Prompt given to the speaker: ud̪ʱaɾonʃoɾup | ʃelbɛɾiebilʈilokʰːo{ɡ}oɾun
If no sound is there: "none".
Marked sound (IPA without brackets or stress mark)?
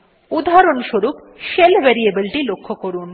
k